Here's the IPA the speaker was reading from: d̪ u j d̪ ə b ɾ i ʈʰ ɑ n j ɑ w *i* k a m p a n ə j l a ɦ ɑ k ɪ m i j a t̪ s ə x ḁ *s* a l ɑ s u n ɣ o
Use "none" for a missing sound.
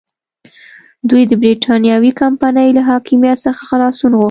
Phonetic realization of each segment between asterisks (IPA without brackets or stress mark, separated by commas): i, x